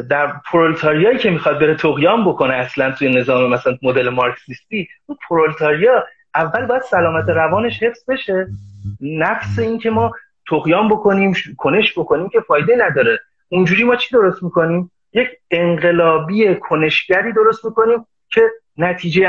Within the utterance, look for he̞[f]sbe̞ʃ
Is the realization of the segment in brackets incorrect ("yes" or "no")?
no